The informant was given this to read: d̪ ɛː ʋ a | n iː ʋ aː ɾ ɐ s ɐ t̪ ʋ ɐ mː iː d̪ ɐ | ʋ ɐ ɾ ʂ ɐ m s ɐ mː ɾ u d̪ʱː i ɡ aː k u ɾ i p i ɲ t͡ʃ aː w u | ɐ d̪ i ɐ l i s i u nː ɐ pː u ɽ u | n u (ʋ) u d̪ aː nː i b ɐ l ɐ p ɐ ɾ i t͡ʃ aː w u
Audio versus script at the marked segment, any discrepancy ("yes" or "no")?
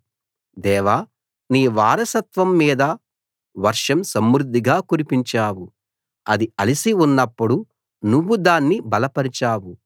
yes